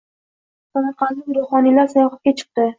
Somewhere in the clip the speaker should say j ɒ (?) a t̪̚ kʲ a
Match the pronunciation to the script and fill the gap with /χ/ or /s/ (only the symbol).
χ